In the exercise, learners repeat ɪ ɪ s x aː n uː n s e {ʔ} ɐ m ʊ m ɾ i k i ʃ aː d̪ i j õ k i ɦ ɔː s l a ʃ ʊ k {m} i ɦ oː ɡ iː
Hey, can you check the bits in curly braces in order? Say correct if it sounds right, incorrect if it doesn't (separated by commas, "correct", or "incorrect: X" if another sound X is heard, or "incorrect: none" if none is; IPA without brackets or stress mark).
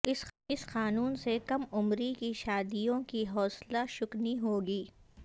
incorrect: k, incorrect: n